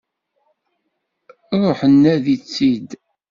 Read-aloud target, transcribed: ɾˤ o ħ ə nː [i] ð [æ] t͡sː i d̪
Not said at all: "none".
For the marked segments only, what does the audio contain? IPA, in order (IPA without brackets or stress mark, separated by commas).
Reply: æ, i